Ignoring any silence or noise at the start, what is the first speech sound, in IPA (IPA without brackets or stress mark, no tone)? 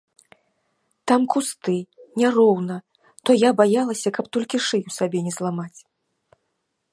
t̪